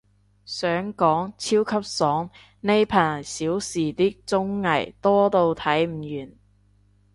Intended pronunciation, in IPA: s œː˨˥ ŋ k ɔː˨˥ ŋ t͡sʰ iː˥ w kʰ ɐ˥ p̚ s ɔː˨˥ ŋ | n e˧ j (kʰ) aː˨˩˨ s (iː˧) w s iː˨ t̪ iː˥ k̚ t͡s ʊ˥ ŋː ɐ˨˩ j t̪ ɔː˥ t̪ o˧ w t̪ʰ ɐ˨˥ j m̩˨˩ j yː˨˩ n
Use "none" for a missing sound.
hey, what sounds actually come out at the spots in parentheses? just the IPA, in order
pʰ, iː˨˥

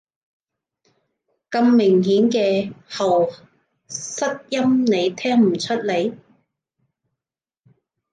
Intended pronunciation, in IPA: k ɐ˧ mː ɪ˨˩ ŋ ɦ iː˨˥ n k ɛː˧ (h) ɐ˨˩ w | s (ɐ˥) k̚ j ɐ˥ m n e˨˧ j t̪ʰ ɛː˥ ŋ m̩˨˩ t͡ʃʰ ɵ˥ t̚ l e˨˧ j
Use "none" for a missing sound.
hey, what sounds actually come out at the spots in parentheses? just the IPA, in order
h, ɐ˥

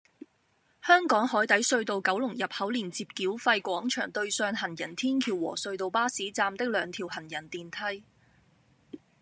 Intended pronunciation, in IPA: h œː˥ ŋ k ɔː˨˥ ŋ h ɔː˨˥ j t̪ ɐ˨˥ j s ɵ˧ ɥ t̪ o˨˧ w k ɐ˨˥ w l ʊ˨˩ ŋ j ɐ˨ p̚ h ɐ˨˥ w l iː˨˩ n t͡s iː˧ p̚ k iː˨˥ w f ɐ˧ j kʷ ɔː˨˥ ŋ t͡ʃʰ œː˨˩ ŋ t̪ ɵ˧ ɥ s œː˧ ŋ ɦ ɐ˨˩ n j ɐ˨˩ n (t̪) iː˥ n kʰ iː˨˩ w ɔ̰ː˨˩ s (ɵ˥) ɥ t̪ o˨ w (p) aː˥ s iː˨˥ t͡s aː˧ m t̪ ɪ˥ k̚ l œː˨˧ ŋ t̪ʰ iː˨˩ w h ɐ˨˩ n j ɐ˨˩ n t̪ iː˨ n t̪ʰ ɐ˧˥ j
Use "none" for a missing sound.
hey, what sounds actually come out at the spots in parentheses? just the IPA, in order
t̪ʰ, ɵ˧, p

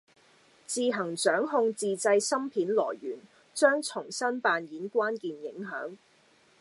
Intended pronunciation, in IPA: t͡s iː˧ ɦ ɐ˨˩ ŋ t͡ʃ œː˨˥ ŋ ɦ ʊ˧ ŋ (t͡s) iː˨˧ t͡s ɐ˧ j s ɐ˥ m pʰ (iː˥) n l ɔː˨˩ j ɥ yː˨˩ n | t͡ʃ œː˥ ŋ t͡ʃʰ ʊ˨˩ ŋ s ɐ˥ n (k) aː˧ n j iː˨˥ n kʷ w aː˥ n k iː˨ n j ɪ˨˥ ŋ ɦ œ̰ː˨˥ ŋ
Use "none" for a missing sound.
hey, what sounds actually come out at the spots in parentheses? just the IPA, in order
t͡s, iː˨˥, p

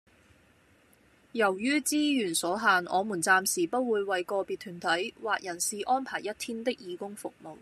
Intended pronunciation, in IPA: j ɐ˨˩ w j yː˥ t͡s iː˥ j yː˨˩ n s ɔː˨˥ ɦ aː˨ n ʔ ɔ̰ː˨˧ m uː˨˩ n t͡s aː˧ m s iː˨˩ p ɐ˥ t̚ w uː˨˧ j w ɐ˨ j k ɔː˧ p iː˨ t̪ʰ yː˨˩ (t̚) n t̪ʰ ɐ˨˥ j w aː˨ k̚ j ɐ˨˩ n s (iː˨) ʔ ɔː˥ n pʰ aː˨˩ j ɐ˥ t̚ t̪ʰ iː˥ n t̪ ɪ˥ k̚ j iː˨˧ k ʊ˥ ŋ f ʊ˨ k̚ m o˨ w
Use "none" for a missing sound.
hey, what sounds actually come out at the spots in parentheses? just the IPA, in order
none, iː˨

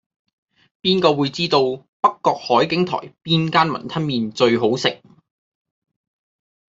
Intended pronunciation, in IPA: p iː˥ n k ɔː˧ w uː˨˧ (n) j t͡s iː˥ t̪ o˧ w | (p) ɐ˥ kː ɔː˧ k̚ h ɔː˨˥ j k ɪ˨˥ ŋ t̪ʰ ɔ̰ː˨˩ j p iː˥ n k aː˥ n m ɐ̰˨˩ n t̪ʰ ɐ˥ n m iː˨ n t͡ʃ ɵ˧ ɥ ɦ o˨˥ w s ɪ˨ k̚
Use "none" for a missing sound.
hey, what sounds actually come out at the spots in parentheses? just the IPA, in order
none, p

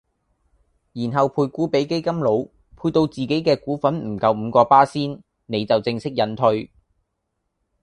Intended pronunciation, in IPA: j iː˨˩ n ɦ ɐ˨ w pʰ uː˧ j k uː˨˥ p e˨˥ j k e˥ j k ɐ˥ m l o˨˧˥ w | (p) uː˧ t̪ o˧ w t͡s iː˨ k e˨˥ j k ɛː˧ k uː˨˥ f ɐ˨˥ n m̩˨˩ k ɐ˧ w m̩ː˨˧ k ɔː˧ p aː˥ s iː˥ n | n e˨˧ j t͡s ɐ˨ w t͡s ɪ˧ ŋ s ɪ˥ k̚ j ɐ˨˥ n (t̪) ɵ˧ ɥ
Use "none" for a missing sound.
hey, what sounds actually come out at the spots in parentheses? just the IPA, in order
pʰ, t̪ʰ

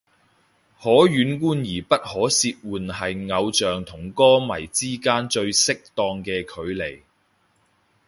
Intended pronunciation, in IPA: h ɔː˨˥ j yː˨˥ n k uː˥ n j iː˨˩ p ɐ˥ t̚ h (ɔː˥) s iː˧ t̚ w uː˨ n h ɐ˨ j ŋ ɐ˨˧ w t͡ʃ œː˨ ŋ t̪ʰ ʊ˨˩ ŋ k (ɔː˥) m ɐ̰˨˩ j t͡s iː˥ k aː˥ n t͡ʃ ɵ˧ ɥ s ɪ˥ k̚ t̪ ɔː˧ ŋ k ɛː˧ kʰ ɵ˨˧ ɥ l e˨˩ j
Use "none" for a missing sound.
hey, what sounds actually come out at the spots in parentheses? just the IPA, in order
ɔː˨˥, ɔː˥

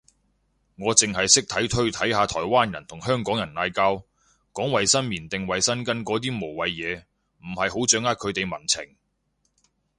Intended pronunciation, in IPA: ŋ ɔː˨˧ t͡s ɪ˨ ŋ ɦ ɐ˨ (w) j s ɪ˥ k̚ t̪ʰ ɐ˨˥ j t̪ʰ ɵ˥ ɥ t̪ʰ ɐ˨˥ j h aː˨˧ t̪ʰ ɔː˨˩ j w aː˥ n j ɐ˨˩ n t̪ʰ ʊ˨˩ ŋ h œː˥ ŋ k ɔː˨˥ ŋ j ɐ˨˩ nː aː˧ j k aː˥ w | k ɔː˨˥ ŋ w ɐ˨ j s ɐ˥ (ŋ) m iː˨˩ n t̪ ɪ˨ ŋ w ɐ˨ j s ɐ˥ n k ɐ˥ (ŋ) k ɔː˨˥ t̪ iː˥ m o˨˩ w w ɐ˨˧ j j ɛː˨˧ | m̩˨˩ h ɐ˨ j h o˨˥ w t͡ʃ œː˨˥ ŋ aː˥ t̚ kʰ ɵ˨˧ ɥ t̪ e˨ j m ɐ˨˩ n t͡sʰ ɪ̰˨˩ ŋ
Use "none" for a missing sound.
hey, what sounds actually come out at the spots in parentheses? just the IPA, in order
none, n, n

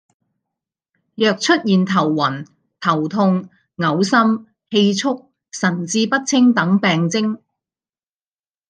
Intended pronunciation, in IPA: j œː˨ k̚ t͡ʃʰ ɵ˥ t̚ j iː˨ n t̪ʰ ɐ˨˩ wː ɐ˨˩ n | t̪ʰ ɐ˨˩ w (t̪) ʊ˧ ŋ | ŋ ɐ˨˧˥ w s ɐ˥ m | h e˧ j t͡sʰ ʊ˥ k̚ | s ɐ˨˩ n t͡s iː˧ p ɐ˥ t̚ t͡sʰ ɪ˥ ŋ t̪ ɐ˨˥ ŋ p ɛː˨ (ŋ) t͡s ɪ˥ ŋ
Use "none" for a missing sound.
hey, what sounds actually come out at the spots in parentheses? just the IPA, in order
t̪ʰ, ŋ

